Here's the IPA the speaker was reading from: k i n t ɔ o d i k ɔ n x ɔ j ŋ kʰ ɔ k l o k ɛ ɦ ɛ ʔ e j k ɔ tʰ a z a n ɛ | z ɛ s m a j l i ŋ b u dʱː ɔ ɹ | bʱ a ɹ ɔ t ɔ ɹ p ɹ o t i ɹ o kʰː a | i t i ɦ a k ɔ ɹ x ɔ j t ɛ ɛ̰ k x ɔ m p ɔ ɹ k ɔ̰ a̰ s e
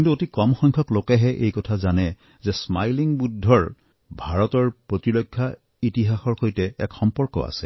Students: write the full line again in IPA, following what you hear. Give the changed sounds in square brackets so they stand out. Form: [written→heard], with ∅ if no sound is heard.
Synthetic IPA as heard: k i n t [ɔ→u] o [d→t] i k ɔ [n→m] x ɔ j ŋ kʰ ɔ k l o k ɛ ɦ ɛ ʔ e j k ɔ tʰ a z a n ɛ | z ɛ s m a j l i ŋ b u dʱː ɔ ɹ | bʱ a ɹ ɔ t ɔ ɹ p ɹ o t i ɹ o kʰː a | i t i ɦ a [k→x] ɔ ɹ x [ɔ→o] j t ɛ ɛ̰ k x ɔ m p ɔ ɹ k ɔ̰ a̰ s [e→ɛ]

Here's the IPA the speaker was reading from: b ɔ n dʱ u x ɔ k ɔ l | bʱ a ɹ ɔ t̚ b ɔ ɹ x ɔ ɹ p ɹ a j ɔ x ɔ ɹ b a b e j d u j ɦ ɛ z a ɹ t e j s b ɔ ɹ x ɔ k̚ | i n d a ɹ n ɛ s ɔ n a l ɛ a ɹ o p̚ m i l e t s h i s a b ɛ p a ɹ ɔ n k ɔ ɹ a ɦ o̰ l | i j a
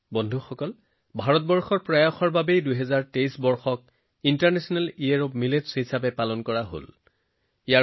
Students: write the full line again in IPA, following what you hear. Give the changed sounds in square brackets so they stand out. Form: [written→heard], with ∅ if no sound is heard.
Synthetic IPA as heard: b ɔ n dʱ u x ɔ k ɔ l | bʱ a ɹ ɔ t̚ b ɔ ɹ x ɔ ɹ p ɹ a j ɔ x ɔ ɹ b a b e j d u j ɦ ɛ z a ɹ t e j s b ɔ ɹ x ɔ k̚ | i n [d→t] a ɹ n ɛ s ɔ n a l [ɛ→i] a ɹ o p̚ m i l e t s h i s a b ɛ p a [ɹ→l] ɔ n k ɔ ɹ a ɦ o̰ l | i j a

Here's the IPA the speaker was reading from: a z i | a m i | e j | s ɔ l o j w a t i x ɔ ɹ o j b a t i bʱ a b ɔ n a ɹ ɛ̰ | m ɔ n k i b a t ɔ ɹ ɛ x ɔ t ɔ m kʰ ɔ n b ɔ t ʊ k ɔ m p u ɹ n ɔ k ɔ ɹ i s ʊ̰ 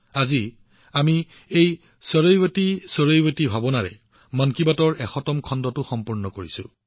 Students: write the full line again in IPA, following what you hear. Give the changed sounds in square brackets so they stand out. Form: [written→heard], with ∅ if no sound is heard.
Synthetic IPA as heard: a z i | a m i | e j | s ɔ [l→ɹ] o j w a t i [x→s] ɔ ɹ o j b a t i bʱ a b ɔ n a ɹ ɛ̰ | m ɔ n k i b a t ɔ ɹ ɛ x ɔ t ɔ m kʰ ɔ n [b→d] ɔ t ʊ [k→x] ɔ m p u ɹ n ɔ k [ɔ→o] ɹ i s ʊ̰

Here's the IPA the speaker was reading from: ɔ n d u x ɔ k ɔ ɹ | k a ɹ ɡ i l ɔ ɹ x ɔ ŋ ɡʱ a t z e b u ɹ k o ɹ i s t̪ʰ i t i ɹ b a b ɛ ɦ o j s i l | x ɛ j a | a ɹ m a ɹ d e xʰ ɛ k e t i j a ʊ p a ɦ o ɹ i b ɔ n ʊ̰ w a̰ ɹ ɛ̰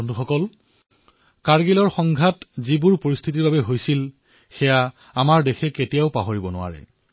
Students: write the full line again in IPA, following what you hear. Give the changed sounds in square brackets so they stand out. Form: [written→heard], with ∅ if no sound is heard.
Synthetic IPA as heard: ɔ n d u x ɔ k ɔ [ɹ→l] | k a ɹ ɡ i l ɔ ɹ x ɔ ŋ ɡʱ a t z [e→i] b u ɹ [k→p] o ɹ i s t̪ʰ i t i ɹ b a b ɛ ɦ o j s i l | x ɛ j a | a [ɹ→∅] m a ɹ d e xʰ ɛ k e t i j a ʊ p a ɦ o ɹ i b ɔ n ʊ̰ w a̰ ɹ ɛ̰

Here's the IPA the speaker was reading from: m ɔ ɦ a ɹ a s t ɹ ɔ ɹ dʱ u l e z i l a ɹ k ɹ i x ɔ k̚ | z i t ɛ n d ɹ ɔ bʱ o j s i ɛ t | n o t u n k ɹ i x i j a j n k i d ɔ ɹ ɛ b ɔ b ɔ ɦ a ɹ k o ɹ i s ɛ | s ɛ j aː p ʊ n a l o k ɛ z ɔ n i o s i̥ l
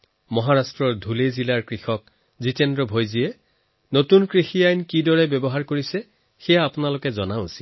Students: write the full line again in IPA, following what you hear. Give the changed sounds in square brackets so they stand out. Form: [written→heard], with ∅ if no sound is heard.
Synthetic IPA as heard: m ɔ ɦ a ɹ a s t ɹ ɔ ɹ dʱ u l e z i l a ɹ k ɹ i x ɔ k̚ | z i t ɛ n d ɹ ɔ bʱ o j [s→z] i ɛ [t→∅] | n o t u n k ɹ i x i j a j n k i d ɔ ɹ ɛ b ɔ b ɔ ɦ a ɹ k o ɹ i s ɛ | [s→x] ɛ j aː p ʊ n a l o k ɛ z ɔ n [i→a] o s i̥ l

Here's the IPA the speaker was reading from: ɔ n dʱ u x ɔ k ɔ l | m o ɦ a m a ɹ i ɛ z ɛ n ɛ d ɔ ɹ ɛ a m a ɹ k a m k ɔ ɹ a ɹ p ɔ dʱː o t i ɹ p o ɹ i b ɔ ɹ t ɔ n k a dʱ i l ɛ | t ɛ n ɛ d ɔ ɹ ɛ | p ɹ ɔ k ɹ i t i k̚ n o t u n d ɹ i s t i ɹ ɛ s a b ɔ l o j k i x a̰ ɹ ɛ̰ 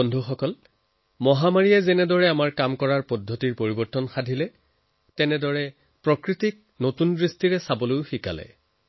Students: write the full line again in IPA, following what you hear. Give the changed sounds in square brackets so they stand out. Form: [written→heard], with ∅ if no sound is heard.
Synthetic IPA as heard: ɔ n dʱ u x ɔ k ɔ l | m [o→ɔ] ɦ a m a ɹ i ɛ z ɛ n ɛ d ɔ ɹ ɛ a m a ɹ k a m k ɔ ɹ a ɹ p ɔ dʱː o t i ɹ p o ɹ i b ɔ ɹ t ɔ n [k→x] a dʱ i l ɛ | t ɛ n ɛ d ɔ ɹ ɛ | p ɹ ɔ k ɹ i t i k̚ n o t u n d ɹ i s t i ɹ ɛ s a b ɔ l o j [k→x] i [x→k] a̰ [ɹ→l] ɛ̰

